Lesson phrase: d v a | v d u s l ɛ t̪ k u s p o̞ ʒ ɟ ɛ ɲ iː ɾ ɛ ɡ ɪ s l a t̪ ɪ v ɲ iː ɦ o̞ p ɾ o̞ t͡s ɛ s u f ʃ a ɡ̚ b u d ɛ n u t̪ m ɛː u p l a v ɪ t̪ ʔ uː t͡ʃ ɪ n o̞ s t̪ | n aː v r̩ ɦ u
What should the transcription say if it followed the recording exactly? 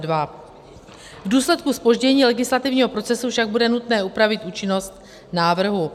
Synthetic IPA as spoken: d v a | v d uː s l ɛ t̪ k u s p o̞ ʒ ɟ ɛ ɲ iː l ɛ ɡ ɪ s l a t̪ ɪ v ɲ iː ɦ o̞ p ɾ o̞ t͡s ɛ s u f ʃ a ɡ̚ b u d ɛ n u t̪ n ɛː u p ɾ a v ɪ t̪ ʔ uː t͡ʃ ɪ n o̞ s t̪ | n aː v r̩ ɦ u